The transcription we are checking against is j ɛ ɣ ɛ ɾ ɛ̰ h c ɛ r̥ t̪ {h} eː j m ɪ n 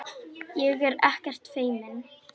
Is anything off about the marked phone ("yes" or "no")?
yes